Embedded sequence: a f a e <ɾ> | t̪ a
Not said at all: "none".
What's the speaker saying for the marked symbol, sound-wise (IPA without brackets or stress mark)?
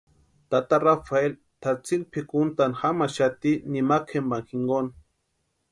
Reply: l